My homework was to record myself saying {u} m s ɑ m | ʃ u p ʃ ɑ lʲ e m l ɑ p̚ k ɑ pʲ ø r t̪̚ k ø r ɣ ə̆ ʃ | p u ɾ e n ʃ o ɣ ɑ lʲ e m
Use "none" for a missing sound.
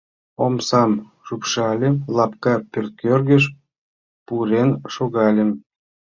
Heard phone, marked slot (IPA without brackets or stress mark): o